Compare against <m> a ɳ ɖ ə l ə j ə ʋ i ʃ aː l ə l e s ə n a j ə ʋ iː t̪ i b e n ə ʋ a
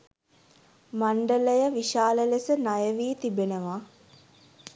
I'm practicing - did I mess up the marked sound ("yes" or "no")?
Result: no